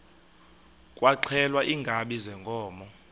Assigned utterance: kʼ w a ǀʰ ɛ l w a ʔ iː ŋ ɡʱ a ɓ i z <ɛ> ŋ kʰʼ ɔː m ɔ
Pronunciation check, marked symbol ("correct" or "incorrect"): correct